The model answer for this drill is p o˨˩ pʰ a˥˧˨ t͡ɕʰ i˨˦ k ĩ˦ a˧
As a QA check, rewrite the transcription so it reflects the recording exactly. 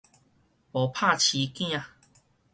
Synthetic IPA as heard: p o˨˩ pʰ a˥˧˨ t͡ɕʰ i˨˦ k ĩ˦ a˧